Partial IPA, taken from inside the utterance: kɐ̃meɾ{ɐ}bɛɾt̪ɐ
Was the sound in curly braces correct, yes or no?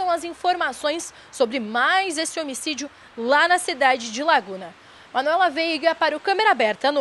no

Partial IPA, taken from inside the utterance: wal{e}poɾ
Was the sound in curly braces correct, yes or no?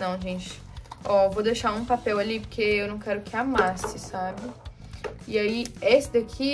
no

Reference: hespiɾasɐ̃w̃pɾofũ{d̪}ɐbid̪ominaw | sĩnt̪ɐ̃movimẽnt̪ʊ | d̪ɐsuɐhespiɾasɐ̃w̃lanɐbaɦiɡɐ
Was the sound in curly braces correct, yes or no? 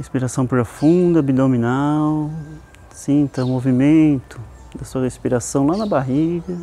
yes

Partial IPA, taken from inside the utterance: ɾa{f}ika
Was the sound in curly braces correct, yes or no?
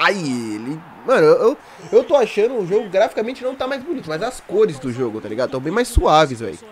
yes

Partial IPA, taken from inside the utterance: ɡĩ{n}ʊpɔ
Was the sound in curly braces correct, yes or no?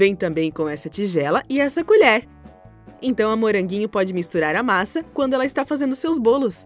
no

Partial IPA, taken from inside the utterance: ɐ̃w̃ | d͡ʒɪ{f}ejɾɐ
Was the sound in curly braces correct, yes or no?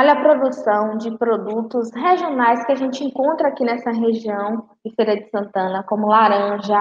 yes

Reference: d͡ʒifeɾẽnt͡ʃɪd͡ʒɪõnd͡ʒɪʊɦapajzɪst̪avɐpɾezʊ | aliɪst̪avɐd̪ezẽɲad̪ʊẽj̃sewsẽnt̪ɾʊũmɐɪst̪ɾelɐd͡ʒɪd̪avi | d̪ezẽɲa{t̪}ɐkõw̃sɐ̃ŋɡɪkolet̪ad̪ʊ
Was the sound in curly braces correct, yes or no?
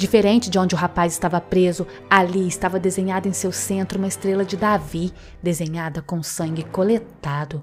no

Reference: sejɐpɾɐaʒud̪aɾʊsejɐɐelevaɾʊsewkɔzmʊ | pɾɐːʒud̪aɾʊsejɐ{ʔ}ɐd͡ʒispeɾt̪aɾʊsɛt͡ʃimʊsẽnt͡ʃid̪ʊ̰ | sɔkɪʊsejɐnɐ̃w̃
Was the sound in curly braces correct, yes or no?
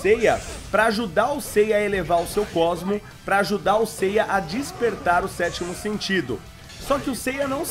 yes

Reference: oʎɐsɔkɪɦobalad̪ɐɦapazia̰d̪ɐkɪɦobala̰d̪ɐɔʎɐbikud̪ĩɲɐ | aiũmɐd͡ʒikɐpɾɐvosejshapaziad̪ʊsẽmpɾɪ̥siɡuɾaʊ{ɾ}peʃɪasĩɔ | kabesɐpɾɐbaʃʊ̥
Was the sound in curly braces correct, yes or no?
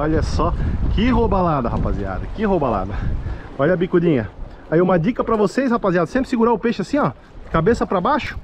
no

